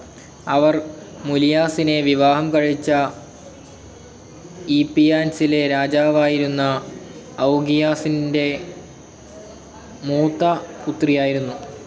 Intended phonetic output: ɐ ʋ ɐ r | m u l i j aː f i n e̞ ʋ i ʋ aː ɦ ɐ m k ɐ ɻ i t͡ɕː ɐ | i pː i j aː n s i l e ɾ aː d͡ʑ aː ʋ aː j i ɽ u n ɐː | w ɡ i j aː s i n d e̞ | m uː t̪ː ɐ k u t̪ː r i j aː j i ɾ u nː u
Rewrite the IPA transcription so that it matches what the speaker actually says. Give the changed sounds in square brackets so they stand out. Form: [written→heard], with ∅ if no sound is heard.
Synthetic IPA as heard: ɐ ʋ ɐ r | m u l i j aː [f→s] i n e̞ ʋ i ʋ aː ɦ ɐ m k ɐ ɻ i t͡ɕː ɐ | i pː i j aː n s i l e ɾ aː d͡ʑ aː ʋ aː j i [ɽ→ɾ] u [n→nː] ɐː | w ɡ i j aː s i n d e̞ | m uː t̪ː ɐ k u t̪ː r i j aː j i ɾ u nː u